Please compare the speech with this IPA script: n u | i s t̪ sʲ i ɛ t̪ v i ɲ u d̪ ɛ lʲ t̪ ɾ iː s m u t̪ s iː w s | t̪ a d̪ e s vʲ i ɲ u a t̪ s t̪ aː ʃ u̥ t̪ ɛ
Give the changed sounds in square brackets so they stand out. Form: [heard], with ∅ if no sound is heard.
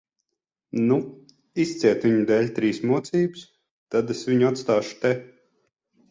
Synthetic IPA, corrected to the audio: n u | i s t̪ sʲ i ɛ t̪ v i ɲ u d̪ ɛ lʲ t̪ ɾ iː s m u t̪ s iː [b] s | t̪ a d̪ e s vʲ i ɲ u a t̪ s t̪ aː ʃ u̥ t̪ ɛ